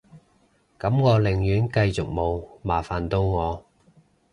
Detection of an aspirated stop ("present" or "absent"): absent